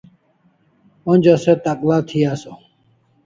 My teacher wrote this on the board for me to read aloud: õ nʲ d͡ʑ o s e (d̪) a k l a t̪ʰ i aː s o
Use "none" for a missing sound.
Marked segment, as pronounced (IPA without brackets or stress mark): t̪